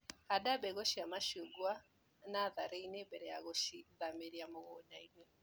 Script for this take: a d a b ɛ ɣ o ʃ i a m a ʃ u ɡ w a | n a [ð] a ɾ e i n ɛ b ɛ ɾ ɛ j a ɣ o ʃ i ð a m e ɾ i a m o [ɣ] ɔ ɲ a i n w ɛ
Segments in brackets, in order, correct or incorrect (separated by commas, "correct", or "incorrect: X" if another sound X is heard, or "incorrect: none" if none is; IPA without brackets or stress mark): correct, correct